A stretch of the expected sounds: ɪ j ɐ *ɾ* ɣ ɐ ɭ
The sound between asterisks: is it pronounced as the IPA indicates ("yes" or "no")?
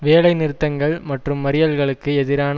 no